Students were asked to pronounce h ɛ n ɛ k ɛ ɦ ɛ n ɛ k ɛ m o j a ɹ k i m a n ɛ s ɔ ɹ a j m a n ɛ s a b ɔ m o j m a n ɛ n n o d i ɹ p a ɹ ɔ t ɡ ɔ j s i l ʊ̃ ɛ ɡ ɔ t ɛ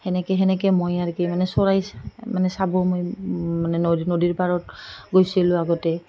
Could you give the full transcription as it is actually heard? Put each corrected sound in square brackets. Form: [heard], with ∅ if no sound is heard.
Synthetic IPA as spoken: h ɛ n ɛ k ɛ ɦ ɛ n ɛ k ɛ m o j a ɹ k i m a n ɛ s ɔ ɹ a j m a n ɛ s a b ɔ m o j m a n ɛ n n o d i ɹ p a ɹ ɔ t ɡ [o] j s i l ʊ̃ [a] ɡ ɔ t ɛ